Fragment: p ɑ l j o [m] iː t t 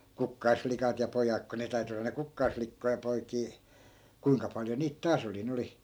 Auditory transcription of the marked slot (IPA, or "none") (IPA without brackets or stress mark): n